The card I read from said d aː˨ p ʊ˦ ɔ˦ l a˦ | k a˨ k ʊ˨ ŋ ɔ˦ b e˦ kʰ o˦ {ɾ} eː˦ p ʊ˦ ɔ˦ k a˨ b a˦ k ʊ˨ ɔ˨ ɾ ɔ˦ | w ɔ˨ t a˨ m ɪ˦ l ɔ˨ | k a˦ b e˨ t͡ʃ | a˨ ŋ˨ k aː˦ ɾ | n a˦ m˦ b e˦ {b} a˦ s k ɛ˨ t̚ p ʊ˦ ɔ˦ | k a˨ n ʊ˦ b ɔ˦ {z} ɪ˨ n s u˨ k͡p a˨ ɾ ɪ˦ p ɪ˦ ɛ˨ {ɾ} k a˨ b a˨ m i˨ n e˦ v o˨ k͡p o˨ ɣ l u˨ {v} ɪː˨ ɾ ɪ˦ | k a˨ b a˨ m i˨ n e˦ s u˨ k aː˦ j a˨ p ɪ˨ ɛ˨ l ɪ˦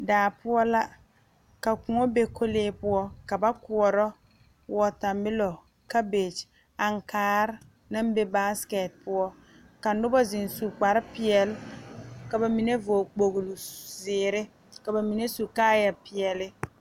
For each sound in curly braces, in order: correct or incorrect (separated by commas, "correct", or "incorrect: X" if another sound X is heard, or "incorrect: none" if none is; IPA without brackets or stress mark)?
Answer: incorrect: l, correct, correct, incorrect: l, incorrect: z